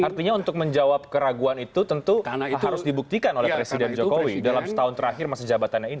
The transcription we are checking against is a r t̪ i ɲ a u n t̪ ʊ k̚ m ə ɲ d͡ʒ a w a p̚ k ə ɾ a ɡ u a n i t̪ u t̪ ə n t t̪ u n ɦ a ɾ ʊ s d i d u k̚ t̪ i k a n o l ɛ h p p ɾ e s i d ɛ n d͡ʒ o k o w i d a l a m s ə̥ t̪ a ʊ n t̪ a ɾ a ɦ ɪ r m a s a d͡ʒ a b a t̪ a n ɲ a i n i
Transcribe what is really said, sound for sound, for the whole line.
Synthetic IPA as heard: a r t̪ i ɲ a u n t̪ ʊ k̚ m ə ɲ d͡ʒ a w a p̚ k ə ɾ a ɡ u a n i t̪ u t̪ ə n t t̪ u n ɦ a ɾ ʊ s d i b u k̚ t̪ i k a n o l ɛ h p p ɾ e s i d ɛ n d͡ʒ o k o w i d a l a m s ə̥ t̪ a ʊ n t̪ ə ɾ a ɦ ɪ r m a s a d͡ʒ a b a t̪ a n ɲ a i n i